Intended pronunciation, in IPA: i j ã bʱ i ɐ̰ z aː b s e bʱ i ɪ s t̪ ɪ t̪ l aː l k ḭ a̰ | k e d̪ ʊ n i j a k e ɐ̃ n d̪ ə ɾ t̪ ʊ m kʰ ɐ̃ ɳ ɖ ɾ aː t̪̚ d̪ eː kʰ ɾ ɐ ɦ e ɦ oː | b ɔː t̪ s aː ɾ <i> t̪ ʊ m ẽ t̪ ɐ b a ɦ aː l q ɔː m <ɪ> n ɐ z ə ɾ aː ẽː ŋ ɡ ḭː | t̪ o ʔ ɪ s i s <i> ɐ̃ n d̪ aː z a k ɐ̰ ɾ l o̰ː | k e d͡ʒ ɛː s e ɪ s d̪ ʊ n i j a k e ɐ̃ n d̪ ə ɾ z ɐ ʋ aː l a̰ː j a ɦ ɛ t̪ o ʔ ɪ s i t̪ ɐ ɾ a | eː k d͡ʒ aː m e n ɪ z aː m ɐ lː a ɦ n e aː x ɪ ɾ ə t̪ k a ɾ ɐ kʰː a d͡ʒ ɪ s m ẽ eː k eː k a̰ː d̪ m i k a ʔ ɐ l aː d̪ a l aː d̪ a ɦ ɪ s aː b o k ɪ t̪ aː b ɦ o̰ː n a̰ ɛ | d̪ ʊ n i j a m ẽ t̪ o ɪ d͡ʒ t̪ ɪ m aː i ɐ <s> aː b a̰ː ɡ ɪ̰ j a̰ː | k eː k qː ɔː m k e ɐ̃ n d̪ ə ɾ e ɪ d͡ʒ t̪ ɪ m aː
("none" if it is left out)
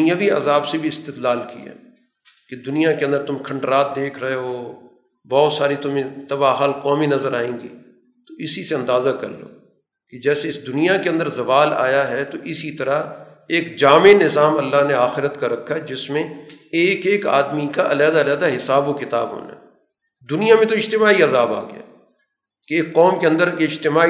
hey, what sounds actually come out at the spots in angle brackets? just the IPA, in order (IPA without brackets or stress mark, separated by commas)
i, i, e, z